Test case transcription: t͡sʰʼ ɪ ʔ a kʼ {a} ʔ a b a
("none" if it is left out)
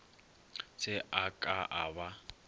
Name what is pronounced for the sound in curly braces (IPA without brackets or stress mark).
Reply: a